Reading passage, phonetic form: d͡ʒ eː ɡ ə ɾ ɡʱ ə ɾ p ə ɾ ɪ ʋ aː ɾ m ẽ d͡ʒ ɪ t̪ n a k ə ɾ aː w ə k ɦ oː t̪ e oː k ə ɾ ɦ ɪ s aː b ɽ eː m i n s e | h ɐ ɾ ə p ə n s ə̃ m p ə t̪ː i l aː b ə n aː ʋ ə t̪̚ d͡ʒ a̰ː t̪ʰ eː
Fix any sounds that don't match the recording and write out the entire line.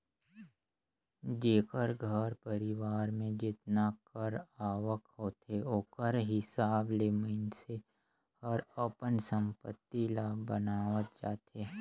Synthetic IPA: d͡ʒ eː k ə ɾ ɡʱ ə ɾ p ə ɾ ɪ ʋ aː ɾ m ẽ d͡ʒ ɪ t̪ n a k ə ɾ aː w ə k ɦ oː t̪ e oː k ə ɾ ɦ ɪ s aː b l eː m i n s e | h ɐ ɾ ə p ə n s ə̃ m p ə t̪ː i l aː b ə n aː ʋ ə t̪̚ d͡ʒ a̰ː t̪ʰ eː